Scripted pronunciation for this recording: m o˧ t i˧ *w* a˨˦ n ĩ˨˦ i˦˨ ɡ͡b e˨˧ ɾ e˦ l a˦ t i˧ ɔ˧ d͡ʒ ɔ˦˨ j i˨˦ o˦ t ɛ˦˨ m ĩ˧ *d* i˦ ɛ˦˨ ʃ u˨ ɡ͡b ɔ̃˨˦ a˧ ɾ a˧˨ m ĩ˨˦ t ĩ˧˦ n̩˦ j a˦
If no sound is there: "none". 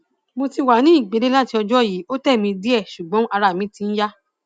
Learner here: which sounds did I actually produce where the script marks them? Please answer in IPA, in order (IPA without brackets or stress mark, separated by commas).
w, d